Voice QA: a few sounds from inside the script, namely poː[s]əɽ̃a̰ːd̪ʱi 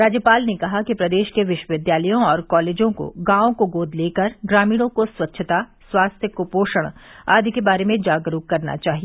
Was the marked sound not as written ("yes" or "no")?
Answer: yes